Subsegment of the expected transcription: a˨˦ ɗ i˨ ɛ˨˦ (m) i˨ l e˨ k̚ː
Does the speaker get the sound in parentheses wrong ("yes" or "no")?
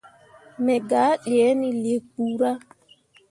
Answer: yes